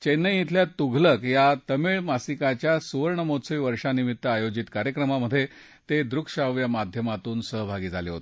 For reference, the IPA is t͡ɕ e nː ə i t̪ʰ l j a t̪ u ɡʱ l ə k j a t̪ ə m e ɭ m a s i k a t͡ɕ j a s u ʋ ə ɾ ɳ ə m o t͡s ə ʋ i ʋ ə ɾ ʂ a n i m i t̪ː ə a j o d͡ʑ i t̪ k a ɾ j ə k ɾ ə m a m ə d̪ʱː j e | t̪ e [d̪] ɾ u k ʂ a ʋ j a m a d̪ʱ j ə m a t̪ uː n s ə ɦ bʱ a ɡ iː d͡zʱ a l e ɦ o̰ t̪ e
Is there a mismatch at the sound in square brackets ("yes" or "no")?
no